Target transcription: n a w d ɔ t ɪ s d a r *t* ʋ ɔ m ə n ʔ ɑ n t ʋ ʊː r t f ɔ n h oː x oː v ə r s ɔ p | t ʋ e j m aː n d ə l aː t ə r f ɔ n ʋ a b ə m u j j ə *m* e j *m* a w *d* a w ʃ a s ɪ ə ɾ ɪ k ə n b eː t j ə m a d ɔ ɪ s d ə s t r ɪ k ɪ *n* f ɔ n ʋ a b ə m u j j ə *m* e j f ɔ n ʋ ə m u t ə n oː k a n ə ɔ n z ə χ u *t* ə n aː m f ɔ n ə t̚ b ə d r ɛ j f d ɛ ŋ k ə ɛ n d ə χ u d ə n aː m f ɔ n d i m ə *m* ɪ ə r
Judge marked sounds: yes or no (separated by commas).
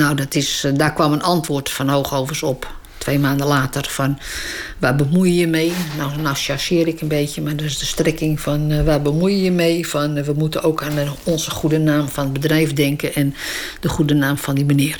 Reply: no, yes, no, no, no, yes, no, no